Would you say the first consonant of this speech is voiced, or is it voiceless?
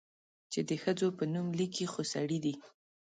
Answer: voiceless